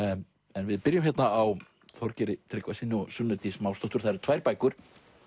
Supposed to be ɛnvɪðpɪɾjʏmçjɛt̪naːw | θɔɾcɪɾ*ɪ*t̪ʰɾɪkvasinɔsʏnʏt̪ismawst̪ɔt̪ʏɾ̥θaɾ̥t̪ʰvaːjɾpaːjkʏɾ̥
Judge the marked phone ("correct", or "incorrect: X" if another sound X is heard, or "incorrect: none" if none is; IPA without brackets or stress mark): correct